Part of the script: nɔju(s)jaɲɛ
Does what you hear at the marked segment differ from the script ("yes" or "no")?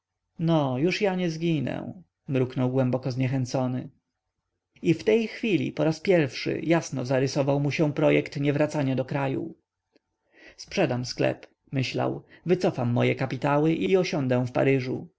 yes